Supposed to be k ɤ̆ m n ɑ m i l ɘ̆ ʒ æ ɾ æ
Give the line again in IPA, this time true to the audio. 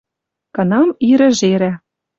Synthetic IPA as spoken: k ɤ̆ n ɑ m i ɾ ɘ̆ ʒ e ɾ æ

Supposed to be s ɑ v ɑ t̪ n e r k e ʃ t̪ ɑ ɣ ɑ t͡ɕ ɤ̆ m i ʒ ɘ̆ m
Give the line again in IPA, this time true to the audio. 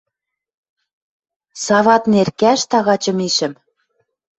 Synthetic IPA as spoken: s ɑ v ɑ t̪ n e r k æ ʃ t̪ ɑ ɣ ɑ t͡ɕ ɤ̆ m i ʃ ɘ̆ m

